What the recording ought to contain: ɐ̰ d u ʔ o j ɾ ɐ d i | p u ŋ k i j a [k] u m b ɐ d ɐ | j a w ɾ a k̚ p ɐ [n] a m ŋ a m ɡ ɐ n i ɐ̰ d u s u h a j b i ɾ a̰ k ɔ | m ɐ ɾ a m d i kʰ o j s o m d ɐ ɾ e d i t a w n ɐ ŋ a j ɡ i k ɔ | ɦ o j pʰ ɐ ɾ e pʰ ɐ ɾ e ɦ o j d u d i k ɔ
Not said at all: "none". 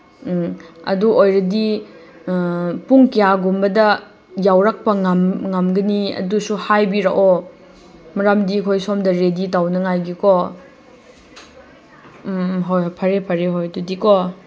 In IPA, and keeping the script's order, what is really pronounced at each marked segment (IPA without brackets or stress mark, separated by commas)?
ɡ, ŋ